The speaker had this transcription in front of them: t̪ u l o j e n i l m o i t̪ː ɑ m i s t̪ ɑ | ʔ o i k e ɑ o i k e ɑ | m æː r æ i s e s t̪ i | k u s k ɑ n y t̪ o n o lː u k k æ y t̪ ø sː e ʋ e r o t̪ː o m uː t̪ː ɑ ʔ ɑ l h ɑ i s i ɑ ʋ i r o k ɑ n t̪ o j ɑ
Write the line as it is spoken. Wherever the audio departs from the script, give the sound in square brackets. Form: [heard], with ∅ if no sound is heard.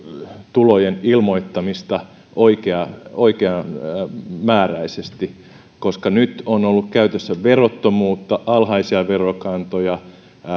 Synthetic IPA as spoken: t̪ u l o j e n i l m o i t̪ː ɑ m i s t̪ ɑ | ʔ o i k e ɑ o i k e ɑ | m æː r æ i s e s t̪ i | k [o] s k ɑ n y t̪ o n o lː u k k æ y t̪ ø sː [æ] ʋ e r o t̪ː o m uː t̪ː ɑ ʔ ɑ l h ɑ i s i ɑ ʋ [e] r o k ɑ n t̪ o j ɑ

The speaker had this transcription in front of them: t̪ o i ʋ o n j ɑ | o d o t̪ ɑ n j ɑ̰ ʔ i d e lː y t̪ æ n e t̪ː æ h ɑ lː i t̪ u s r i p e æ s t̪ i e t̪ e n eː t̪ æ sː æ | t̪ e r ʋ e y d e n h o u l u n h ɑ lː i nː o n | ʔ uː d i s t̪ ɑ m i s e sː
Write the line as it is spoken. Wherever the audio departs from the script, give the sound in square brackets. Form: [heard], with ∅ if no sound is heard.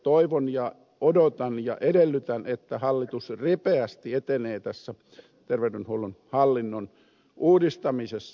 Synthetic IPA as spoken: t̪ o i ʋ o n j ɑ | o d o t̪ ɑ n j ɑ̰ ʔ [e] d e lː y t̪ æ n e t̪ː æ h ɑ lː i t̪ u s r i p e æ s t̪ i e t̪ e n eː t̪ æ sː æ | t̪ e r ʋ e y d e n h o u l u n h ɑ lː i nː o n | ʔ uː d i s t̪ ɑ m i s e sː

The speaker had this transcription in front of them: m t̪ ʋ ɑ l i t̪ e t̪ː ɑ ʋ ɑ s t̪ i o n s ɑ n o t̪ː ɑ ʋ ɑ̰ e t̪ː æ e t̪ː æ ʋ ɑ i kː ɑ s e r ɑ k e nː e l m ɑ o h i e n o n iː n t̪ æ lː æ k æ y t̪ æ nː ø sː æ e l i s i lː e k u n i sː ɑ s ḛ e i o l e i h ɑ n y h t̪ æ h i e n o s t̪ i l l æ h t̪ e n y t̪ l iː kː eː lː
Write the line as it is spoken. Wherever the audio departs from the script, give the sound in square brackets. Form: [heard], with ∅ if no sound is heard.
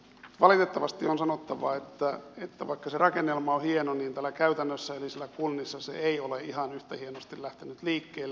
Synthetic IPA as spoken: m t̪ ʋ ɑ l i t̪ e t̪ː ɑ ʋ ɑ s t̪ i o n s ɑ n o t̪ː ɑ ʋ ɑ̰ e t̪ː æ e t̪ː æ ʋ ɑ i kː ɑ s e r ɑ k e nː e l m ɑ o h i e n o n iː n t̪ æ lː æ k æ y t̪ æ nː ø sː æ e l i s i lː [æ] k u [nː] i sː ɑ s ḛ e i o l e i h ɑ n y h t̪ æ h i e n o s t̪ i l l æ h t̪ e n y t̪ l iː kː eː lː

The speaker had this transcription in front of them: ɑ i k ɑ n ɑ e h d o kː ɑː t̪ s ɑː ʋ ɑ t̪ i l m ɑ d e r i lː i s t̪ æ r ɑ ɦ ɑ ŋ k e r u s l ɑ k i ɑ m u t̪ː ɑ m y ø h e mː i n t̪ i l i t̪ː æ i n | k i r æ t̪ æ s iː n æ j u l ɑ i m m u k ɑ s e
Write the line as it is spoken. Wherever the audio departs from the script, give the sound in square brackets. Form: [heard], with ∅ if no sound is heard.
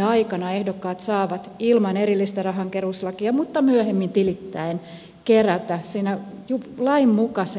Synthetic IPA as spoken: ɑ i k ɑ n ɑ e h d o kː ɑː t̪ s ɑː ʋ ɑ t̪ i l m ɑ [n] e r i lː i s t̪ æ r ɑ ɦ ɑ ŋ k e r u s l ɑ k i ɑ m u t̪ː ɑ m y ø h e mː i n t̪ i l i t̪ː æ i n | k [e] r æ t̪ æ s iː n æ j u l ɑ i m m u k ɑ s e

